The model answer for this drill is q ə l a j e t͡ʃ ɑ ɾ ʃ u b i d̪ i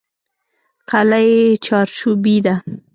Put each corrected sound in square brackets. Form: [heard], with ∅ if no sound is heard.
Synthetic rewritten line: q [a] l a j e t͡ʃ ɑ ɾ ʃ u b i d̪ [a]